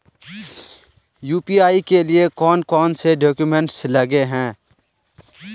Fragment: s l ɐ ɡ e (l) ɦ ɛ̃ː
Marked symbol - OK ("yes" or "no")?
no